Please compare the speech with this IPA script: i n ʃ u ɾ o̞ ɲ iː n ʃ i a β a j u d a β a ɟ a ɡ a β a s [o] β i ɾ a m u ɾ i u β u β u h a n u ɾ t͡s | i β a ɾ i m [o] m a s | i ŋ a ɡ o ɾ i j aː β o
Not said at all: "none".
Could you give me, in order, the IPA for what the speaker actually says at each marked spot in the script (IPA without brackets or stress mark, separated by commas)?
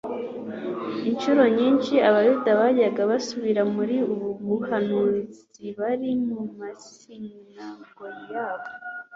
u, u